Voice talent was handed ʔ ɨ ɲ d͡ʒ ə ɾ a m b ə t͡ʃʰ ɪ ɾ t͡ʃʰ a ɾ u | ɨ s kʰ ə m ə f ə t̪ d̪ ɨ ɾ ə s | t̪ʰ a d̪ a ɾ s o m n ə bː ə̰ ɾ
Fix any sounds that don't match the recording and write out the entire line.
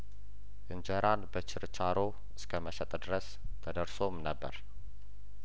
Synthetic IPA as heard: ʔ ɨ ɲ d͡ʒ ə ɾ a n b ə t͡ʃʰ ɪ ɾ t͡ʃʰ a ɾ o | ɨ s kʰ ə m ə ʃ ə t̪ʼ d̪ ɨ ɾ ə s | t̪ʰ ə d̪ ə ɾ s o m n ə bː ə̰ ɾ